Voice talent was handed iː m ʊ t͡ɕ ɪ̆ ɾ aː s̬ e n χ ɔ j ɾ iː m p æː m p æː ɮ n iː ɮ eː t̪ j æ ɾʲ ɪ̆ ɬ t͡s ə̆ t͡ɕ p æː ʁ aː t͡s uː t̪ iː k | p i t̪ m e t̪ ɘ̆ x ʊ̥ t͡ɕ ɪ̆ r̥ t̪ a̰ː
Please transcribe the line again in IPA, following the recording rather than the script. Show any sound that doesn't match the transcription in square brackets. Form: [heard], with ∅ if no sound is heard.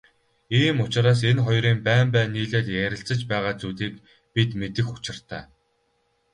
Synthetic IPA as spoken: iː m ʊ t͡ɕ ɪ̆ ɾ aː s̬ e n χ ɔ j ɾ iː m p æː m p æː [∅] n iː ɮ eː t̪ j æ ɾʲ ɪ̆ ɬ t͡s ə̆ t͡ɕ p æː ʁ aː t͡s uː t̪ iː k | p i t̪ m e t̪ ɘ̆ x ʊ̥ t͡ɕ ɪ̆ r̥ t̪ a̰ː

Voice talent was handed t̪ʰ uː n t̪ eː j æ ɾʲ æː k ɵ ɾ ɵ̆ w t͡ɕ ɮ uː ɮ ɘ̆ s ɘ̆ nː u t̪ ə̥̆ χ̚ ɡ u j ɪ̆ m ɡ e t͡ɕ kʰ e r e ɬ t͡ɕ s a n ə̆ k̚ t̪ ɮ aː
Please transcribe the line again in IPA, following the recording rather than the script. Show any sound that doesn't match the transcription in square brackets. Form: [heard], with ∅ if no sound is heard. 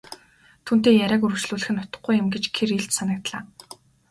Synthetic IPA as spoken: t̪ʰ uː n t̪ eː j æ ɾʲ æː k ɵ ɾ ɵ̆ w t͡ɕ ɮ uː ɮ ɘ̆ [x] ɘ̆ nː [ʊ] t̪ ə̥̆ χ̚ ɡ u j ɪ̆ m ɡ e t͡ɕ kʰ e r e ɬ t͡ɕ s a n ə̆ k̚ t̪ ɮ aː

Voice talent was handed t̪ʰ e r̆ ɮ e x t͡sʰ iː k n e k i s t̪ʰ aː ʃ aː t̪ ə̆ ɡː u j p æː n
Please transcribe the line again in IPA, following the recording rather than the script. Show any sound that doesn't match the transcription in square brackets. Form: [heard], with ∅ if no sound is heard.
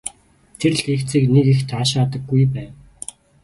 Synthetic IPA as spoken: t̪ʰ e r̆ ɮ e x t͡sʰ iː k n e k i [x] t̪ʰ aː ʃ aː t̪ ə̆ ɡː u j p æː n

